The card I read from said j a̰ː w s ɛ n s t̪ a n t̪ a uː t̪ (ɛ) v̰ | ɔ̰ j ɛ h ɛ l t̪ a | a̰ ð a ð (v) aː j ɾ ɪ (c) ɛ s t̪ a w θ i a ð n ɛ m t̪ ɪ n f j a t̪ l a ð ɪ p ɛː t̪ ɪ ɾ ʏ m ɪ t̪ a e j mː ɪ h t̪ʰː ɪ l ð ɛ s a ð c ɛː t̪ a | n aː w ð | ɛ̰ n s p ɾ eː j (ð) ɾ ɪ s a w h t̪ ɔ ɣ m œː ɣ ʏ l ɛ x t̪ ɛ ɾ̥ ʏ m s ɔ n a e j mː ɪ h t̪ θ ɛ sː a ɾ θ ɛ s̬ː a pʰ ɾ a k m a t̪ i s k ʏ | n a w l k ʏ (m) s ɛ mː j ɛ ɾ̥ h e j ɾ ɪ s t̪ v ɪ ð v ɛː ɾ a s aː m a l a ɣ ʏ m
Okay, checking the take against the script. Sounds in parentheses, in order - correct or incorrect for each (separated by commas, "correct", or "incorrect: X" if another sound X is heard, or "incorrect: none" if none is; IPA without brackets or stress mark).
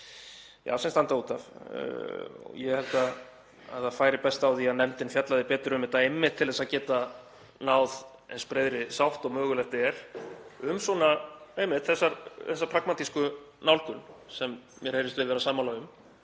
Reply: incorrect: a, incorrect: f, incorrect: p, correct, incorrect: n